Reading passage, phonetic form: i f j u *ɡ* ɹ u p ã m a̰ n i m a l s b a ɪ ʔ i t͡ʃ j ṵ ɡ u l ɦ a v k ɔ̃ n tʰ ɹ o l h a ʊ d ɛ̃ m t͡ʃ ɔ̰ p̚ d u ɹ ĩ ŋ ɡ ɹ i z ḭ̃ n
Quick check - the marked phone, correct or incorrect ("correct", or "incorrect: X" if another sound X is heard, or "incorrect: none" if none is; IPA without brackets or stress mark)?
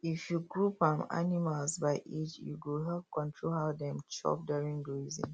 correct